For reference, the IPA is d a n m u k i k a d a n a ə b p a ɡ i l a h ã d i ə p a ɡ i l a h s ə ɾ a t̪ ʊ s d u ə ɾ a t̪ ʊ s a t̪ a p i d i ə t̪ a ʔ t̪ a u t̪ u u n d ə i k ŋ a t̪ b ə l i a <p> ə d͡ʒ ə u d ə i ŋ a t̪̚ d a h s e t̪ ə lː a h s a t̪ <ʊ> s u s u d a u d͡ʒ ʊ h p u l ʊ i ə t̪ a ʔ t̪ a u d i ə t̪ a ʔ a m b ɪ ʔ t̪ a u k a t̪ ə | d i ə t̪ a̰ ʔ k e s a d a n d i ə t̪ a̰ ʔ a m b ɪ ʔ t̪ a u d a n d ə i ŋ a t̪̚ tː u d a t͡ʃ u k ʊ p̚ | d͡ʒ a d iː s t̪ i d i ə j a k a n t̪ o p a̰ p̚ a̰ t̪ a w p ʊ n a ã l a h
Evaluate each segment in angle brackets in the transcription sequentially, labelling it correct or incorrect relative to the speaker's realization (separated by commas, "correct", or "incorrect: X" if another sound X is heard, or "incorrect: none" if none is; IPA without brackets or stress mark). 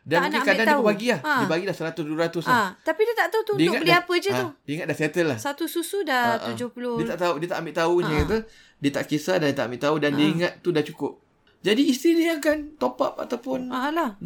correct, incorrect: u